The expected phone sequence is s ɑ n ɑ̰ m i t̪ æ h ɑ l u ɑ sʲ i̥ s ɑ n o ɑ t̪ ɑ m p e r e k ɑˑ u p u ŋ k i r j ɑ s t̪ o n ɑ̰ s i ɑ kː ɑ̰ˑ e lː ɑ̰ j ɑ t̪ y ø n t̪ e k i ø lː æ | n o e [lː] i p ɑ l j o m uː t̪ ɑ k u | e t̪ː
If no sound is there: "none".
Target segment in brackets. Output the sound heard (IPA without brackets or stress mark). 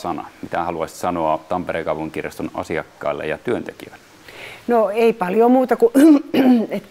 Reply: none